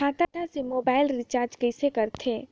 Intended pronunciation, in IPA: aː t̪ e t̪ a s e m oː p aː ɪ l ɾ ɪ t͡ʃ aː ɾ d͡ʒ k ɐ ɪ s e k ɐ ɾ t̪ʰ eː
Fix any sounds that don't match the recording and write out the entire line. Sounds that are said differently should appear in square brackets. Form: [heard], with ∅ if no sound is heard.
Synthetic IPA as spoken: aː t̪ [a] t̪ a s e m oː [b] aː ɪ l ɾ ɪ t͡ʃ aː ɾ d͡ʒ k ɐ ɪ s e k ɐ ɾ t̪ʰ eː